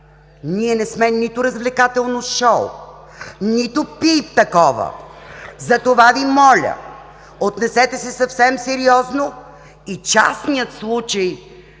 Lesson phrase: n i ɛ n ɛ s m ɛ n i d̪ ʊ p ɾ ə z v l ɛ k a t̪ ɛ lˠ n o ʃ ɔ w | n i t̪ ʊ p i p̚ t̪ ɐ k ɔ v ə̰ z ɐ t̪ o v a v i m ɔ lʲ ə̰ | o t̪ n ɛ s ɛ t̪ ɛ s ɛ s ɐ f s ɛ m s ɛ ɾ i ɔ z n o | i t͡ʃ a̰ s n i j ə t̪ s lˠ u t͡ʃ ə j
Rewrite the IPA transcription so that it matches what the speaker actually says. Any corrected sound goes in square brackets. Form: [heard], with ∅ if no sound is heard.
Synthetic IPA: n i ɛ n ɛ s m ɛ n i [t̪] ʊ [∅] ɾ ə z v l ɛ k a t̪ ɛ lˠ n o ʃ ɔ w | n i t̪ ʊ p i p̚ t̪ ɐ k ɔ v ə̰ z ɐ t̪ o v a v i m ɔ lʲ ə̰ | o t̪ n ɛ s ɛ t̪ ɛ s ɛ s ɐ f s ɛ m s ɛ ɾ i ɔ z n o | i t͡ʃ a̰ s n i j ə t̪ s lˠ u t͡ʃ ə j